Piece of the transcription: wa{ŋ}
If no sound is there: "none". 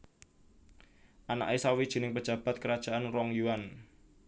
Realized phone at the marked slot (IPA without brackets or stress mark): n